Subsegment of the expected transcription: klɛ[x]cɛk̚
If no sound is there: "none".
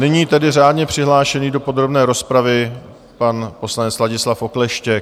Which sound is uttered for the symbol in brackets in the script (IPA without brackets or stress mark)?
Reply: ʃ